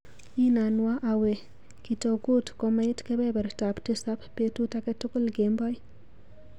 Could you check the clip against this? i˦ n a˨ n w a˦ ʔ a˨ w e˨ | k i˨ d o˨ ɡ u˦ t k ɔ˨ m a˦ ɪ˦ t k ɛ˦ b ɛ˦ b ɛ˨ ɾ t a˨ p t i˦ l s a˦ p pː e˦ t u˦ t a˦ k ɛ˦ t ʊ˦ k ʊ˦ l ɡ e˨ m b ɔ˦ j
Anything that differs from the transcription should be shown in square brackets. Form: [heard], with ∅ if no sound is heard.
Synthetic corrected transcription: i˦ n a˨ n w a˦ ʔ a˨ w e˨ | k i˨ [t] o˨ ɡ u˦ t k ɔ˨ m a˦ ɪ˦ t k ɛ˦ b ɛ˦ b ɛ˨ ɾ t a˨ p t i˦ [∅] s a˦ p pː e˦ t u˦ t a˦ k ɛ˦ t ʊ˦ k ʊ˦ l ɡ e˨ m b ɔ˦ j